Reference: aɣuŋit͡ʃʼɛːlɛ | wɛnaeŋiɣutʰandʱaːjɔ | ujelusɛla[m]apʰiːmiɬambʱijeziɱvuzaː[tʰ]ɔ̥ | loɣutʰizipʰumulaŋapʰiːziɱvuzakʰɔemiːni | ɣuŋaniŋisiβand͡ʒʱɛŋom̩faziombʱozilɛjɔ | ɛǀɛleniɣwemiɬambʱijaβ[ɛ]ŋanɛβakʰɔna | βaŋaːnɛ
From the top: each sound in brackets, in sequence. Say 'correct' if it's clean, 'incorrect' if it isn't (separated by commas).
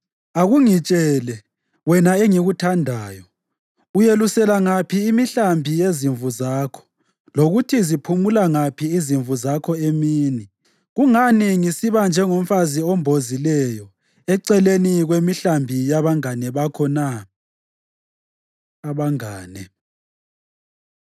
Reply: incorrect, incorrect, incorrect